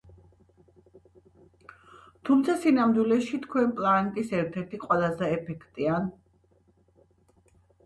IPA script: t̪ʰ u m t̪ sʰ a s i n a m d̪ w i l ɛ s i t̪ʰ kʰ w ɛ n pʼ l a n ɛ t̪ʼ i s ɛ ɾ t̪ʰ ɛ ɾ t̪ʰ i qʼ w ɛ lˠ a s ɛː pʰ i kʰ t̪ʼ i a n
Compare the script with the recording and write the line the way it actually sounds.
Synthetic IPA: t̪ʰ u m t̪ sʰ a s i n a m d̪ w i l ɛ ʃ i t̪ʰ kʰ w ɛ n pʼ l a n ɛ t̪ʼ i s ɛ ɾ t̪ʰ ɛ ɾ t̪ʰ i qʼ w ɛ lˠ a z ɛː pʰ ɛ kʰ t̪ʼ i a n